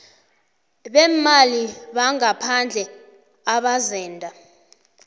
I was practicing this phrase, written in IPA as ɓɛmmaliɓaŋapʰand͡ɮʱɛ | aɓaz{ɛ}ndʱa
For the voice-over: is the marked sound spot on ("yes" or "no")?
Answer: no